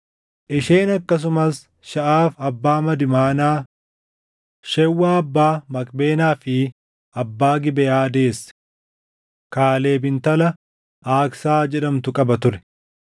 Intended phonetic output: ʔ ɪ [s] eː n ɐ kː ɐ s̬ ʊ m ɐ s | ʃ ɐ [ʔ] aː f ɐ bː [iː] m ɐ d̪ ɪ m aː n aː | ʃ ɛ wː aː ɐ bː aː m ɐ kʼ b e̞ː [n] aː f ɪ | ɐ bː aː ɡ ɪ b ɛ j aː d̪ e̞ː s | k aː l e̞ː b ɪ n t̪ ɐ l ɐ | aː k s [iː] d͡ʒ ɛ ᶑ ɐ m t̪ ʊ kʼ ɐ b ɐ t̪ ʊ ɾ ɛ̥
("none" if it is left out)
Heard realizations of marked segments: ʃ, ʔ, aː, n, aː

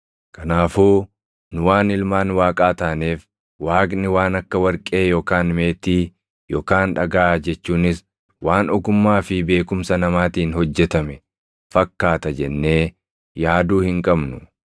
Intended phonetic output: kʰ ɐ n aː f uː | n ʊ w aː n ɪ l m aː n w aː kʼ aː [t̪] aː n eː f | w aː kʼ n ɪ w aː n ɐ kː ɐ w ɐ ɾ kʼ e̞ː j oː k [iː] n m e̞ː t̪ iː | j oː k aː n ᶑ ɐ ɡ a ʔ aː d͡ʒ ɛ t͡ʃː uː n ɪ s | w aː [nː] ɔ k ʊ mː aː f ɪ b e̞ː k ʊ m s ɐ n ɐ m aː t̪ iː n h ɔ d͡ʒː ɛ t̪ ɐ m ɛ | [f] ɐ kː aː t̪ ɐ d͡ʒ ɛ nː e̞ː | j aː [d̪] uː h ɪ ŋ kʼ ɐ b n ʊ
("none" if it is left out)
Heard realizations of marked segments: t̪, aː, n, f, d̪

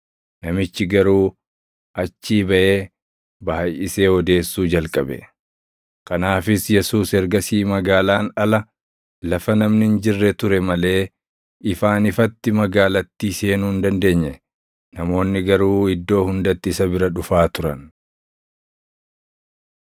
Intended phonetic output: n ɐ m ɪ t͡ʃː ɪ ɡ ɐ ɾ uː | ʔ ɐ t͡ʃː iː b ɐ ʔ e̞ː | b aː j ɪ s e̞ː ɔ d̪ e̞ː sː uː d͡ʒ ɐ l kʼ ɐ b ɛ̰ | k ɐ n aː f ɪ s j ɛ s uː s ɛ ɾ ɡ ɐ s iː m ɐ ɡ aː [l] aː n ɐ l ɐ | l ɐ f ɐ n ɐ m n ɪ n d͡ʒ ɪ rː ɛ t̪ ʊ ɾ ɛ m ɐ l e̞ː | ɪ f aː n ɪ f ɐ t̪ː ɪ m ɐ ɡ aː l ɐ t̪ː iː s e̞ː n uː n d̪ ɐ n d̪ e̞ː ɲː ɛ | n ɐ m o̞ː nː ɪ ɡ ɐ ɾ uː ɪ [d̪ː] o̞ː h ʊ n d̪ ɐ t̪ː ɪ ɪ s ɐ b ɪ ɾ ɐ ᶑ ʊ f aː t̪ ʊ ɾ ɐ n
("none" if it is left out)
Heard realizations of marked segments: l, d̪ː

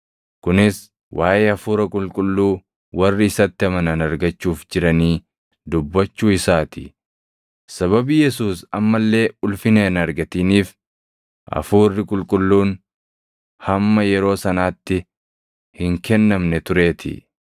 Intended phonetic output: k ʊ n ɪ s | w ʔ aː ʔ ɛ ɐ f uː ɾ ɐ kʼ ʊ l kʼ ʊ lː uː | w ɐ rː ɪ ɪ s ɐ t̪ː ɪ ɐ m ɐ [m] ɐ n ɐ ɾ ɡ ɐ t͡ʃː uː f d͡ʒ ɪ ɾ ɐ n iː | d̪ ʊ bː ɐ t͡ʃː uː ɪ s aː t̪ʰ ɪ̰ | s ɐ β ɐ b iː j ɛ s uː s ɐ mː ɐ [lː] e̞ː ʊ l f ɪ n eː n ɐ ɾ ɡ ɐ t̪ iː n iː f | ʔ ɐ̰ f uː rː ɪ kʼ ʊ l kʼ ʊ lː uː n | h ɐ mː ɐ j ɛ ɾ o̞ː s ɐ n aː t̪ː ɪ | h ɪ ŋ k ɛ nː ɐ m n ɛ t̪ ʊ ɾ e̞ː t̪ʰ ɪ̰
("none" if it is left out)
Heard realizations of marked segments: n, lː

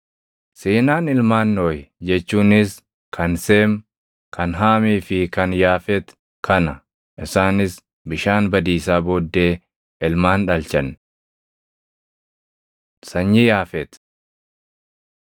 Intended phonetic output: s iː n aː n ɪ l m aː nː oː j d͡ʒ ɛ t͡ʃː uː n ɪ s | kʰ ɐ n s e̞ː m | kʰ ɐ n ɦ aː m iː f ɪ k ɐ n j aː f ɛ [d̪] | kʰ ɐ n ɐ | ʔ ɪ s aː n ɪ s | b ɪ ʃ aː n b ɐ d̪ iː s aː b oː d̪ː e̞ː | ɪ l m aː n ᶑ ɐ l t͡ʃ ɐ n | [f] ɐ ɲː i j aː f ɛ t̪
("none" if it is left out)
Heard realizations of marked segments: t̪, s

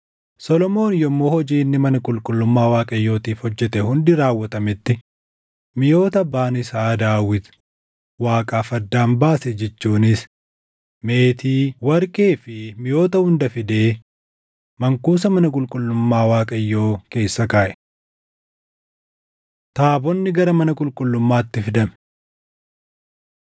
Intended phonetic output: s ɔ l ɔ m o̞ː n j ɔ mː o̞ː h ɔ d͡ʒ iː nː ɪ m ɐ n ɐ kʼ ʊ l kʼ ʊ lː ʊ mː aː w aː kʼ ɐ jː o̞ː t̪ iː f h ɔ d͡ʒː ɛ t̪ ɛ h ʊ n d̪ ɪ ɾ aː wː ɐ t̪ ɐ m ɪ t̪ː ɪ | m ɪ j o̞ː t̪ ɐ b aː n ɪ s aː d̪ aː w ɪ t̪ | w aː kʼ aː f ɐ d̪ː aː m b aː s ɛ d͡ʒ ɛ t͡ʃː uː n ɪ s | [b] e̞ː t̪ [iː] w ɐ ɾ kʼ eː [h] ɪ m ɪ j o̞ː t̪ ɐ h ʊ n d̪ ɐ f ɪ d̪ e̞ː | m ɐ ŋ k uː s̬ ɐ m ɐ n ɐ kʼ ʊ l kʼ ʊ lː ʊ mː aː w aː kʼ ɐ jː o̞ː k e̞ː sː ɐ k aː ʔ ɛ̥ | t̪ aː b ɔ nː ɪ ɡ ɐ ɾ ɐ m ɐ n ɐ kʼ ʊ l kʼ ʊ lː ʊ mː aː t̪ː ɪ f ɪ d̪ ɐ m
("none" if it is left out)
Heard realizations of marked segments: m, iː, f

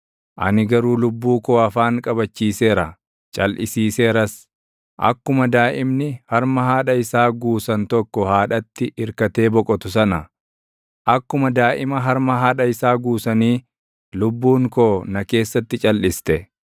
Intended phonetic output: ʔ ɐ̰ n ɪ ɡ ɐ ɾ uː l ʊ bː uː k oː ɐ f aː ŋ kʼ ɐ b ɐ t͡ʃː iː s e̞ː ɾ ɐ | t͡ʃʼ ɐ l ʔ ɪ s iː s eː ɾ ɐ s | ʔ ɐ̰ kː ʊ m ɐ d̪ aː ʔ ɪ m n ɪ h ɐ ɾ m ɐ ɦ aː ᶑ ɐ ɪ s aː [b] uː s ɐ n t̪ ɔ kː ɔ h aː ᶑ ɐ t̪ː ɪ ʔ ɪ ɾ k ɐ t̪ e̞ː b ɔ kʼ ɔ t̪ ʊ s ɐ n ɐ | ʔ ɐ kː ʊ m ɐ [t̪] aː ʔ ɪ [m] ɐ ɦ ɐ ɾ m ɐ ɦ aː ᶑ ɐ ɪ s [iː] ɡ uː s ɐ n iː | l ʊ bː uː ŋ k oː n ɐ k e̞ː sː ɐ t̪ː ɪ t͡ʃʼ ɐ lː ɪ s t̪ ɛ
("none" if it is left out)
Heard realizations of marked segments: ɡ, d̪, m, aː

